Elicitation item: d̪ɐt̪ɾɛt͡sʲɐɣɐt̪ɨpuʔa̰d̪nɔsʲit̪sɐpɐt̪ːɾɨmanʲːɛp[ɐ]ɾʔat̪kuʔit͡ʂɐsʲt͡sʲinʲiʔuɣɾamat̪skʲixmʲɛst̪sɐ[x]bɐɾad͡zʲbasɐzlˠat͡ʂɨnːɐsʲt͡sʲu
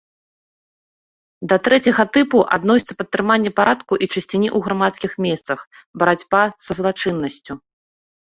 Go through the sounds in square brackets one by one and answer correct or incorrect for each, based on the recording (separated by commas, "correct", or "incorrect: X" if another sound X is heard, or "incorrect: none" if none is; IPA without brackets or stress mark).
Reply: incorrect: a, correct